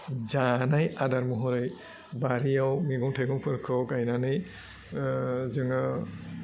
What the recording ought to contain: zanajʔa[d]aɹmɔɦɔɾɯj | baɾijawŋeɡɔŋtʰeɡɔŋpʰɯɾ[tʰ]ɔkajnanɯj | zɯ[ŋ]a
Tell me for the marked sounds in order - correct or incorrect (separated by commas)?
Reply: correct, incorrect, correct